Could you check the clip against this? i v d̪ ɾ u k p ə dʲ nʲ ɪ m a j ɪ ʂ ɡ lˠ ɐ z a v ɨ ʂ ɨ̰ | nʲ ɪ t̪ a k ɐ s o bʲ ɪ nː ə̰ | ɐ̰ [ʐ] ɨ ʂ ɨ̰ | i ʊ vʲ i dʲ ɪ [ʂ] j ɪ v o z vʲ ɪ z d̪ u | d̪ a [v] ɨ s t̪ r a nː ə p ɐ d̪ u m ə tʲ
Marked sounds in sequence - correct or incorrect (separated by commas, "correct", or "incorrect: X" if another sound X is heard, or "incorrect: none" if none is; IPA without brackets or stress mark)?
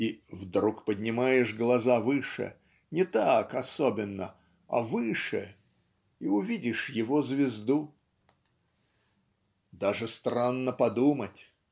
incorrect: v, correct, incorrect: ʐ